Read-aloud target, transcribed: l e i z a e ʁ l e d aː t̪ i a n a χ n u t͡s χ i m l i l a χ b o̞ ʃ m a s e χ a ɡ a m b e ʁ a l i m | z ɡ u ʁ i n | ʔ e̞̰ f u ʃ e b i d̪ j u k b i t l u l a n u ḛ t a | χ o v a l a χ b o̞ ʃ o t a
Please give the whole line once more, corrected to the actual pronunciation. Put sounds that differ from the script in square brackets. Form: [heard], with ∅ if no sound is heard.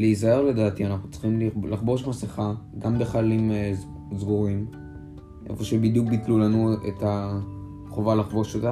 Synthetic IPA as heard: l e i z a e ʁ l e d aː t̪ i a n a χ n u t͡s χ i m l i l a χ b o̞ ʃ m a s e χ a ɡ a m b e [χ] a l i m | z ɡ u ʁ i [m] | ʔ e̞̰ f [o] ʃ e b i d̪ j u k b i t l u l a n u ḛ t a | χ o v a l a χ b o̞ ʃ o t a